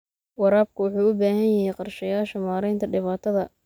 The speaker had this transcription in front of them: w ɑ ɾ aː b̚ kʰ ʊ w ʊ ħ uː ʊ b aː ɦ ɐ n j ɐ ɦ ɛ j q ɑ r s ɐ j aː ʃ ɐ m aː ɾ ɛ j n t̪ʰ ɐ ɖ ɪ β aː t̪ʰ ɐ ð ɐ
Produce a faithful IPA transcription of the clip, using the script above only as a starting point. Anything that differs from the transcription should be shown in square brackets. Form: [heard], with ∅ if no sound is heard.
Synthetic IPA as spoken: w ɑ ɾ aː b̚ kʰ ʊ w ʊ ħ uː ʊ b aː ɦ ɐ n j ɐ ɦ ɛ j q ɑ r [ʃ] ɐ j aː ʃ ɐ m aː ɾ ɛ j n t̪ʰ ɐ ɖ ɪ β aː t̪ʰ ɐ ð ɐ